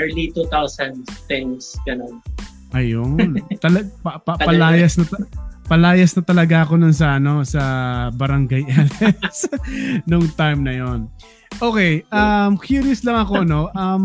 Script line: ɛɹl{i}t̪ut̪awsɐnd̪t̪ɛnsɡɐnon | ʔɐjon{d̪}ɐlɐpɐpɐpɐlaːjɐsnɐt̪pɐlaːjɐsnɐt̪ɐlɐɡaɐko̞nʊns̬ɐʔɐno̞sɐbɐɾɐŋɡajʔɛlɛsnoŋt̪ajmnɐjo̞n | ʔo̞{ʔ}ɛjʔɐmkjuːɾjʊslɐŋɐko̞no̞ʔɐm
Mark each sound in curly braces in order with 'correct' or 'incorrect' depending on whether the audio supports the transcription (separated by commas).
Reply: correct, incorrect, incorrect